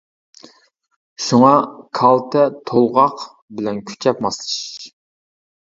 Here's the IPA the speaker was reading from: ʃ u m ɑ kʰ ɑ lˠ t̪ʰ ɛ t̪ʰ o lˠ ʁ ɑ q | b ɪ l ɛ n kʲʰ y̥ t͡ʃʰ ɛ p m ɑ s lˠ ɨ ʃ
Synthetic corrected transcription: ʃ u ŋ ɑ kʰ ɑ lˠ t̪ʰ ɛ t̪ʰ o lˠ ʁ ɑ q | b ɪ l ɛ n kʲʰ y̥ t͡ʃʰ ɛ p m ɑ s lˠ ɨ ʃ